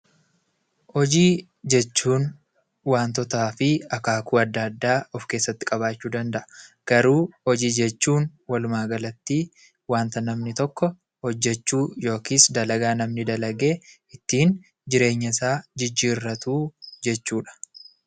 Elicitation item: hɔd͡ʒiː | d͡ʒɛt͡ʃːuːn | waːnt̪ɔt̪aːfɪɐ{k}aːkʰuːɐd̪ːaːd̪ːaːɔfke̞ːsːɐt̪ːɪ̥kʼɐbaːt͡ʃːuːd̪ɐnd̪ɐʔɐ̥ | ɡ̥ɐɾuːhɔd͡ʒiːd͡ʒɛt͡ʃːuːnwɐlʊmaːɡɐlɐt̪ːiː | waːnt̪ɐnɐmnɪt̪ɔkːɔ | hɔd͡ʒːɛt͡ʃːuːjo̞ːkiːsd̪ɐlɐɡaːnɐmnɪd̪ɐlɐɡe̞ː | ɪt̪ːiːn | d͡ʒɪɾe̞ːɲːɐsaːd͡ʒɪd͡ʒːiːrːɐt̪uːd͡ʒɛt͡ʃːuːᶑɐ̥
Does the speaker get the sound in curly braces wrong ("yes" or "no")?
no